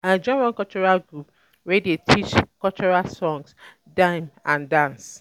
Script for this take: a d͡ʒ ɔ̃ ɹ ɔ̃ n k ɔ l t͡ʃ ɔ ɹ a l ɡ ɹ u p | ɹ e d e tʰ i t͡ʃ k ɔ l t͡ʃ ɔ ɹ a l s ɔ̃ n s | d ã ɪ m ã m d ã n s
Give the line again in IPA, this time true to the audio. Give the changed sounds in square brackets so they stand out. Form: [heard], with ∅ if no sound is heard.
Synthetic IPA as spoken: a d͡ʒ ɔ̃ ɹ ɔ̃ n k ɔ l t͡ʃ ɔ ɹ a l ɡ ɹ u p | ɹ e d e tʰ i t͡ʃ k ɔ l t͡ʃ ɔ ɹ a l s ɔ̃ [ŋ] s | d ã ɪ m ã [n] d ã n s